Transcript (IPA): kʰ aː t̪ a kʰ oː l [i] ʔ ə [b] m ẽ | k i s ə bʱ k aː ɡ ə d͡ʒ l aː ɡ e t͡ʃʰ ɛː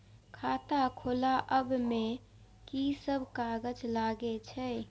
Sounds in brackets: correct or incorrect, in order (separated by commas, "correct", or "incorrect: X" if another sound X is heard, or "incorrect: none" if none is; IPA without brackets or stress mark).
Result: incorrect: a, correct